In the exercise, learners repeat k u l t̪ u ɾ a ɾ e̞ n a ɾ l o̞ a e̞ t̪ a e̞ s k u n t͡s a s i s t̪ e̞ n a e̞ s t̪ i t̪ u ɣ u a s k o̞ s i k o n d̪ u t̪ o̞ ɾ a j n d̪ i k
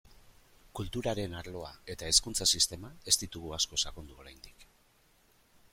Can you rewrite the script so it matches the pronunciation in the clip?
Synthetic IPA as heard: k u l t̪ u ɾ a ɾ e̞ n a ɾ l o̞ a e̞ t̪ a e̞ s k u n t͡s a s i s t̪ e̞ m a e̞ s t̪ i t̪ u ɣ u a s k o̞ s a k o n d̪ u o̞ ɾ a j n d̪ i k